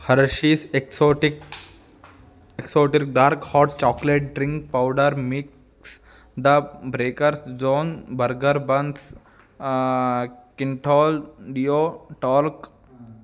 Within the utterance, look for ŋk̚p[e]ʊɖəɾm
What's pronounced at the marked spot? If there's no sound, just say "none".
a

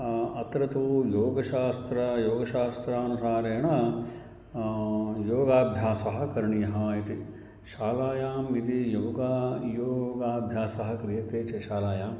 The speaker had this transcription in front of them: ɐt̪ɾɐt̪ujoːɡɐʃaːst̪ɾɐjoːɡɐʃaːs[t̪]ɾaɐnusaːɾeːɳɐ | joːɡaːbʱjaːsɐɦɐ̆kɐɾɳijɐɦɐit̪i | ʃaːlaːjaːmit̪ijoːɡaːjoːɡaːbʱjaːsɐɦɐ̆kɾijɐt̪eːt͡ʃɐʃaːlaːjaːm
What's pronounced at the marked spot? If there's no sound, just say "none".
t̪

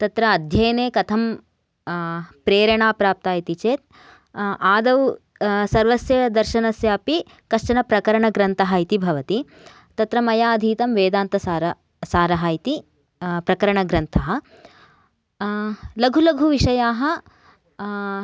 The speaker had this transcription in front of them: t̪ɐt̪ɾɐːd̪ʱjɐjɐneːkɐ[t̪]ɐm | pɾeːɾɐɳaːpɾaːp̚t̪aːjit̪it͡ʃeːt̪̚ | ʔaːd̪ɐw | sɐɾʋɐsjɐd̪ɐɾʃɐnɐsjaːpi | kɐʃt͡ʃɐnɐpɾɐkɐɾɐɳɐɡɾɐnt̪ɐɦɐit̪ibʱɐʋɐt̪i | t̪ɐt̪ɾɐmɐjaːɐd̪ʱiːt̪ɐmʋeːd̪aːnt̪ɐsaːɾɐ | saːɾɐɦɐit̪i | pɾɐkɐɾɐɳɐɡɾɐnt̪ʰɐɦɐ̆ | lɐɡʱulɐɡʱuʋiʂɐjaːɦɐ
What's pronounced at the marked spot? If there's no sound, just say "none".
t̪ʰ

